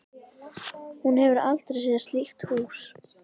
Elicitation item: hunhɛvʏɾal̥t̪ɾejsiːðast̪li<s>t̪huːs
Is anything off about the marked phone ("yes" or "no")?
yes